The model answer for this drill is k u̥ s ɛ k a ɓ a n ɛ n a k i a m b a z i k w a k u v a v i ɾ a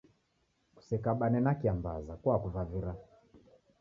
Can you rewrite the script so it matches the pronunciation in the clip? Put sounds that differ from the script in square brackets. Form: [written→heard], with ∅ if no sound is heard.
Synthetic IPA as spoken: k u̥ s ɛ k a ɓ a n ɛ n a k i a m b a z [i→a] k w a k u v a v i ɾ a